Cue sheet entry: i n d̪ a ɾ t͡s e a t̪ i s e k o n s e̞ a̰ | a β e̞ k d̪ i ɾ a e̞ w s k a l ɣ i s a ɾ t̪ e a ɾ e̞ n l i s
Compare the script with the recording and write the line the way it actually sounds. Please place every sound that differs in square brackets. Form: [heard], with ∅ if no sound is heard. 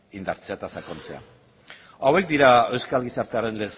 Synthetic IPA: i n d̪ a ɾ t͡s e a t̪ [a] s [a] k o n [t͡s] e̞ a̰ | a [w] e̞ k d̪ i ɾ a e̞ w s k a l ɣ i s a ɾ t̪ e a ɾ e̞ n l [e] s